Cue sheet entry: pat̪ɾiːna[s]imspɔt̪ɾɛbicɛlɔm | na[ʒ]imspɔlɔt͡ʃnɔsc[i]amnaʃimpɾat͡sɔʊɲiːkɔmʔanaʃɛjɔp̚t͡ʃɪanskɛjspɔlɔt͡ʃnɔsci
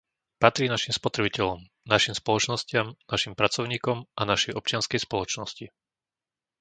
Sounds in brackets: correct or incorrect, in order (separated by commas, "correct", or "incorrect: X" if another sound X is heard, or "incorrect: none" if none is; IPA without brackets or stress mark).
incorrect: ʃ, incorrect: ʃ, incorrect: ɪ